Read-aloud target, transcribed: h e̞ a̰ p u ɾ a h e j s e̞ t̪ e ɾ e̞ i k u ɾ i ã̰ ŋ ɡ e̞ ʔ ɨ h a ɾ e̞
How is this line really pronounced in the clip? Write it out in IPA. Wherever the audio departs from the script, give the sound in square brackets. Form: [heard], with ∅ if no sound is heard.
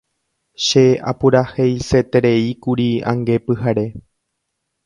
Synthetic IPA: [ʃ] e̞ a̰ p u ɾ a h e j s e̞ t̪ e ɾ e̞ i k u ɾ i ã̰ ŋ ɡ e̞ [p] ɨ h a ɾ e̞